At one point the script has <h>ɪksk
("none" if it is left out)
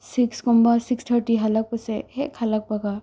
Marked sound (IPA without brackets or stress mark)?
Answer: s